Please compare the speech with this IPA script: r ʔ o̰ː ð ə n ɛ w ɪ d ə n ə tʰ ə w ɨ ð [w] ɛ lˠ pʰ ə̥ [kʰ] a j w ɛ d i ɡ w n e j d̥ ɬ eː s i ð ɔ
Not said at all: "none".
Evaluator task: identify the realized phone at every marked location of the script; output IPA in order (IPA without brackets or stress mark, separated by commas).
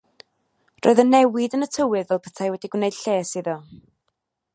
v, tʰ